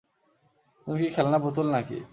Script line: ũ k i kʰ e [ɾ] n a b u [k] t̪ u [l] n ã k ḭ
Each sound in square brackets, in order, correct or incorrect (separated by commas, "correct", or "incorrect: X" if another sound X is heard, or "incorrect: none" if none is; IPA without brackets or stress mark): incorrect: l, incorrect: none, correct